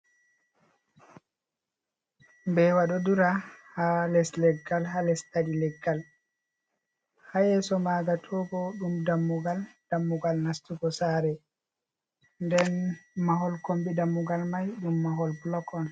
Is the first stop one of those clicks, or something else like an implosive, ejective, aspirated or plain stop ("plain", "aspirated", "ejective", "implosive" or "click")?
plain